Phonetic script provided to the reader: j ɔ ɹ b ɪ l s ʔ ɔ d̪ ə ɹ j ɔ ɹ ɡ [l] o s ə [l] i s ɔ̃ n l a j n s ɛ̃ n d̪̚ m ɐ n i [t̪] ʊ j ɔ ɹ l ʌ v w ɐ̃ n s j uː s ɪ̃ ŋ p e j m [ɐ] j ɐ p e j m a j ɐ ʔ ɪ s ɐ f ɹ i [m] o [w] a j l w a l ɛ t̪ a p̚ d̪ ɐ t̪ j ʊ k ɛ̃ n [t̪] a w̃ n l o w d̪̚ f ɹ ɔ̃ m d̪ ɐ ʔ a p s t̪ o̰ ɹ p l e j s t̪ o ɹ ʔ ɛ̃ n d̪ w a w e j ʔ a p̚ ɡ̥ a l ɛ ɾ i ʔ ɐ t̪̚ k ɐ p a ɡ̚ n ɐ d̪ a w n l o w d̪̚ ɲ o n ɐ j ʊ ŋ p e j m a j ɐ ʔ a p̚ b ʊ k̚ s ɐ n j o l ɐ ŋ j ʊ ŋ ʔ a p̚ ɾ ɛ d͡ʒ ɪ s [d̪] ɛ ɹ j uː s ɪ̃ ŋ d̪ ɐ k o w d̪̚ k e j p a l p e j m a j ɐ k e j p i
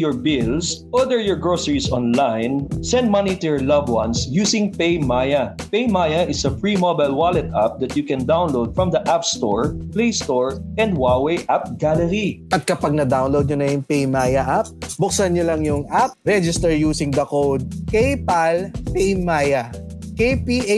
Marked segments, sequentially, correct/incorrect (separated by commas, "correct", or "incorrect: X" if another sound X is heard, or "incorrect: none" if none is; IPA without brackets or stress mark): incorrect: ɹ, incorrect: ɹ, correct, incorrect: a, correct, incorrect: b, incorrect: d̪, incorrect: t̪